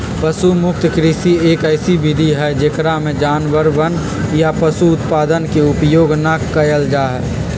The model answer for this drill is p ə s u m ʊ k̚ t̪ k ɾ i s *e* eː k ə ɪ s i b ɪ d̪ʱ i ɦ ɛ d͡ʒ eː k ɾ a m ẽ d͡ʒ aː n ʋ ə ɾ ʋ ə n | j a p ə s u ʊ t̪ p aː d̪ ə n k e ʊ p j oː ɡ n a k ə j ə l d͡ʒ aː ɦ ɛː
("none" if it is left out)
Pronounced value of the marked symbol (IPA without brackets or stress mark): i